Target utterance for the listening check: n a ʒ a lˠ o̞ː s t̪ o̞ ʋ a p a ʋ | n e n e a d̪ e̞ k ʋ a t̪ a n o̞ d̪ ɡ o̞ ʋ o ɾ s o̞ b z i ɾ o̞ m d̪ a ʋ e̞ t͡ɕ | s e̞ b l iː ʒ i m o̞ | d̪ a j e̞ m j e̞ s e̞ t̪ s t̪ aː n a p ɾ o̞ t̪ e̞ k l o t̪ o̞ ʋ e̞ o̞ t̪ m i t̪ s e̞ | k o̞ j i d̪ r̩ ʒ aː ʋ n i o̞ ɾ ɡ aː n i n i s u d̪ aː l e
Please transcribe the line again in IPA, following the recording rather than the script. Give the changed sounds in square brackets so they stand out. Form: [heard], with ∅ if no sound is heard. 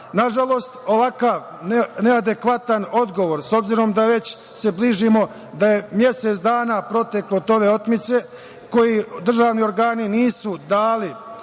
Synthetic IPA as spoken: n a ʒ a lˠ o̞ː s t̪ o̞ ʋ a [k] a ʋ | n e n e a d̪ e̞ k ʋ a t̪ a n o̞ d̪ ɡ o̞ ʋ o ɾ s o̞ b z i ɾ o̞ m d̪ a ʋ e̞ t͡ɕ | s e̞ b l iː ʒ i m o̞ | d̪ a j e̞ m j e̞ s e̞ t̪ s [d̪] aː n a p ɾ o̞ t̪ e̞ k l o t̪ o̞ ʋ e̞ o̞ t̪ m i t̪ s e̞ | k o̞ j i d̪ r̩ ʒ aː ʋ n i o̞ ɾ ɡ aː n i n [iː] s u d̪ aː l [i]